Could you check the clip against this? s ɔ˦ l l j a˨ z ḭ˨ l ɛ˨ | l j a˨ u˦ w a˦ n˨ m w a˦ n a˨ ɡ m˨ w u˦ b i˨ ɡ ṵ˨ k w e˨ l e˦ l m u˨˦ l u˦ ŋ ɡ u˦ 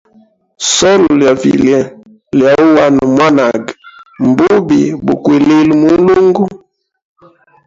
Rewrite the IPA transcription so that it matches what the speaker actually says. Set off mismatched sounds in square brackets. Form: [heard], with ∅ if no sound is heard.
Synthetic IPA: s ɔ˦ l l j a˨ [v] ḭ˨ l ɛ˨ | l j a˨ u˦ w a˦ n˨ m w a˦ n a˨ ɡ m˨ [b] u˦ b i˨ [b] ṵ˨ k w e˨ l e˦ l m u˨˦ l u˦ ŋ ɡ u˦